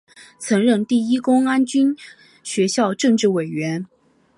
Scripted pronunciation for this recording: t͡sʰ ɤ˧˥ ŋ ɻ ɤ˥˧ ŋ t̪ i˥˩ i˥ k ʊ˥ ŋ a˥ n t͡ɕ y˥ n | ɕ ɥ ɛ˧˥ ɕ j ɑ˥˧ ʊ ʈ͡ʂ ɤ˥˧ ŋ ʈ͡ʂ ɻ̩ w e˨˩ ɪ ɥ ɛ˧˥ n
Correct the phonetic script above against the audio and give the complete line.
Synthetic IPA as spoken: t͡sʰ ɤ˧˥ ŋ ɻ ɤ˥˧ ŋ t̪ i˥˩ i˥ k ʊ˥ ŋ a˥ n t͡ɕ y˥ n | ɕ ɥ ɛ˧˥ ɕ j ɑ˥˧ ʊ ʈ͡ʂ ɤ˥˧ ŋ ʈ͡ʂ ɻ̩ w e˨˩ ɪ ɥ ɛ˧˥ n